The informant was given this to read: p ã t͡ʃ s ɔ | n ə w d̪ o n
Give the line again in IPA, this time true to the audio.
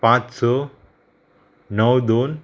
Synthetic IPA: p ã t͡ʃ s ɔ | n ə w d̪ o n